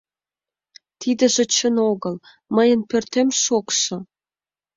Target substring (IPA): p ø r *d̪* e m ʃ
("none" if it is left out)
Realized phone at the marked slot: t̪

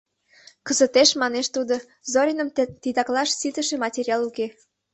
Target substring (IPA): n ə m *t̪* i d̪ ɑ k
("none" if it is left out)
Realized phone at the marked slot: t̪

